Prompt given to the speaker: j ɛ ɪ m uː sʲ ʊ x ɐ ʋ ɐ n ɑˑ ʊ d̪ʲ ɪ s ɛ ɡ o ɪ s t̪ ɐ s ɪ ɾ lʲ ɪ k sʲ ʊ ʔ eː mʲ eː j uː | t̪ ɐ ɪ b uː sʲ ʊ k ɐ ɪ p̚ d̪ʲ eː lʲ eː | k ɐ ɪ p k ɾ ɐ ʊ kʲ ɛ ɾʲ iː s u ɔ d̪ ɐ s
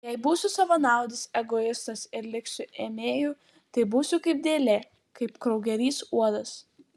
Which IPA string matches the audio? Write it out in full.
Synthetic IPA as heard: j ɛ ɪ b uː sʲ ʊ s ɐ ʋ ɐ n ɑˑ ʊ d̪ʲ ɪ s ɛ ɡ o ɪ s t̪ ɐ s ɪ ɾ lʲ ɪ k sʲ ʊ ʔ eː mʲ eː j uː | t̪ ɐ ɪ b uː sʲ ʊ k ɐ ɪ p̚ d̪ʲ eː lʲ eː | k ɐ ɪ p k ɾ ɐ ʊ ɡʲ ɛ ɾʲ iː s u ɔ d̪ ɐ s